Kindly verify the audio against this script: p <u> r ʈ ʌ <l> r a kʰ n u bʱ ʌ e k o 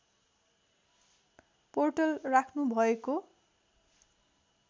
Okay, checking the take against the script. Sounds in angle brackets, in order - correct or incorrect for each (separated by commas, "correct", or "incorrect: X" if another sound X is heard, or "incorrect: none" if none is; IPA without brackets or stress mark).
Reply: incorrect: o, correct